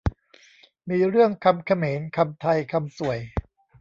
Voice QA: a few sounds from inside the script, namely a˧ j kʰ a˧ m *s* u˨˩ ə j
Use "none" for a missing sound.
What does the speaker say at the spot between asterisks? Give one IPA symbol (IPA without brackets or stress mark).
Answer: s